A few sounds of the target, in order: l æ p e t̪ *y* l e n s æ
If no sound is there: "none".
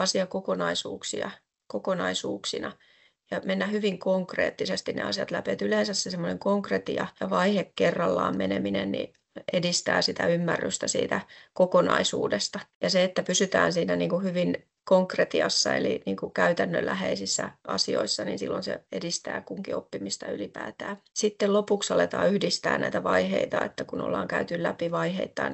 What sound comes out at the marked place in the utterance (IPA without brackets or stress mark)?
y